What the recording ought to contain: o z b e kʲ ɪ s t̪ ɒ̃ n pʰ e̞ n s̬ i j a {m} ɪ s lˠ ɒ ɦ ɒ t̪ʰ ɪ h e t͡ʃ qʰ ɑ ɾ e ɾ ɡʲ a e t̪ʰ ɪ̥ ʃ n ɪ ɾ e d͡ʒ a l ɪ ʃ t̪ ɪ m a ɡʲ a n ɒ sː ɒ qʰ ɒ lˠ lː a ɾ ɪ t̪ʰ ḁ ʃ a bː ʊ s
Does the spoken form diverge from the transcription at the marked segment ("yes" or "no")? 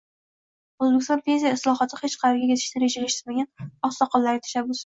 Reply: yes